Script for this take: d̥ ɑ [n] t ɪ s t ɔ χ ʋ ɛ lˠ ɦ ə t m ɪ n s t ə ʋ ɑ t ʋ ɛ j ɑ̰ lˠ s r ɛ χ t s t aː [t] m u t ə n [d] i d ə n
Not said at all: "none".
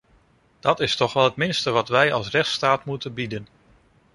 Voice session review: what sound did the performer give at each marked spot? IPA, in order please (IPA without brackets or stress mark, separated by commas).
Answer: none, t, b